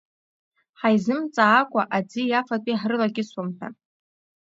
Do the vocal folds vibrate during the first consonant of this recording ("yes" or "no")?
no